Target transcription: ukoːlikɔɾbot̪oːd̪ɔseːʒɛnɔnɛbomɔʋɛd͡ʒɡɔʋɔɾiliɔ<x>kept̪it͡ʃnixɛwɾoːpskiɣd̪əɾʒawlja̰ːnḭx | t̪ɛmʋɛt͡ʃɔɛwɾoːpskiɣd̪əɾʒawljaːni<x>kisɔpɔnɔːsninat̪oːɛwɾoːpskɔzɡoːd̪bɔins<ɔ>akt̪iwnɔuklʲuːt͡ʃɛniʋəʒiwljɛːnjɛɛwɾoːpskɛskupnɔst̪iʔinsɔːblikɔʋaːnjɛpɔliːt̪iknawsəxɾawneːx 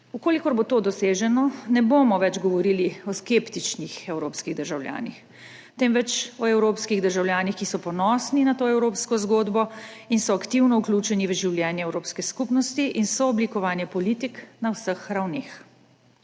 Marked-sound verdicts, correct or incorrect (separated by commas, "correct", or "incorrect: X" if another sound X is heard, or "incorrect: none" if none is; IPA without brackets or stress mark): incorrect: s, correct, correct